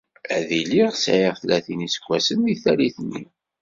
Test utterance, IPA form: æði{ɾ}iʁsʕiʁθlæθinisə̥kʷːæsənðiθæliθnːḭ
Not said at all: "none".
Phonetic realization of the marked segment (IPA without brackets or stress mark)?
l